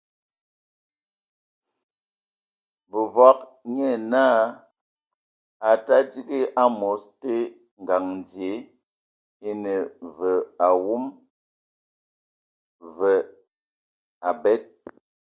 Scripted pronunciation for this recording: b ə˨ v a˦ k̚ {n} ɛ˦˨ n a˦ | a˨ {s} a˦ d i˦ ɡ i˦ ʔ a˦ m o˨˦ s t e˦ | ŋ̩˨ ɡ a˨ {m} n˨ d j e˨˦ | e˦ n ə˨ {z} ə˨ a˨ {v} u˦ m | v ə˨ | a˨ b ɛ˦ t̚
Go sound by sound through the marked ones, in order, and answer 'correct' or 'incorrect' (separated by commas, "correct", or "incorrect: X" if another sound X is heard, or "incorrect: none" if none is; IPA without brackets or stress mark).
incorrect: ɲ, incorrect: t, incorrect: ŋ, incorrect: v, incorrect: w